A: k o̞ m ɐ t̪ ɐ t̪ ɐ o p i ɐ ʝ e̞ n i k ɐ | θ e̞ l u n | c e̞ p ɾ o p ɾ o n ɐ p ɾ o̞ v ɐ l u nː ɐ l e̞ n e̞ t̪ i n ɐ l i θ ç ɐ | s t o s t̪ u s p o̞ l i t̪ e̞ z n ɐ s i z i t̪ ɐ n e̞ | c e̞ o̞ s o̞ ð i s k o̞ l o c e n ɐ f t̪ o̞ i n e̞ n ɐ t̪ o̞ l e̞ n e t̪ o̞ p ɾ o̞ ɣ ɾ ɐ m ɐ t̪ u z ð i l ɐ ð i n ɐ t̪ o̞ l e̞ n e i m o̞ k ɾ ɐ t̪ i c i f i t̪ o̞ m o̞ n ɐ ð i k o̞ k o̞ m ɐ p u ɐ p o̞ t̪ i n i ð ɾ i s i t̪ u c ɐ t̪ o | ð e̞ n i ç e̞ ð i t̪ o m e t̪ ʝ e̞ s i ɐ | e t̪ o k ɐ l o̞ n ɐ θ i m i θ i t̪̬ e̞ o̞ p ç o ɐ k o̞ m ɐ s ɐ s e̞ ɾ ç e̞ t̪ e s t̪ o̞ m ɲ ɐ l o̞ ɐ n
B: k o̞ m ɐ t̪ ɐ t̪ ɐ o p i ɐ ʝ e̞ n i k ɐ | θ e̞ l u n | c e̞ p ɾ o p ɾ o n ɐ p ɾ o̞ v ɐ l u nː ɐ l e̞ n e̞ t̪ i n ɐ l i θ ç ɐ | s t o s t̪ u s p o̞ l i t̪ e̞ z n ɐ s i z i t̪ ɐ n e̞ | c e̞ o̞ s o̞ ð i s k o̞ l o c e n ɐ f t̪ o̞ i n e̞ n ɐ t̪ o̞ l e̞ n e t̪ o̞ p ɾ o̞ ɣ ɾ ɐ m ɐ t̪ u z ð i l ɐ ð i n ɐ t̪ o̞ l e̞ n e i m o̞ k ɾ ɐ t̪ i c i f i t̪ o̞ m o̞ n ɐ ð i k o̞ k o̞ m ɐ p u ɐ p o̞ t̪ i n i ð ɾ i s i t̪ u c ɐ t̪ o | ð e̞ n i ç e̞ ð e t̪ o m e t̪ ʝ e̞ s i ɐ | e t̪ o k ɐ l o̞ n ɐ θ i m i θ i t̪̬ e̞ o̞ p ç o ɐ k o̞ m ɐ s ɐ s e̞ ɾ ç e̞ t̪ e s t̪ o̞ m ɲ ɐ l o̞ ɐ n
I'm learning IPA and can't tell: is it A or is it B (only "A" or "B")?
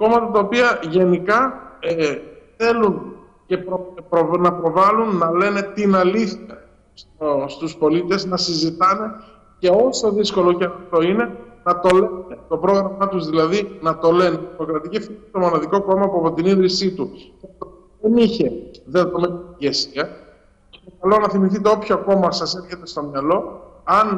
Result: B